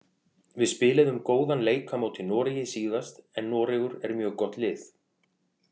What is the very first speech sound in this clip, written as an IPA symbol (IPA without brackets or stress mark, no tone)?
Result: v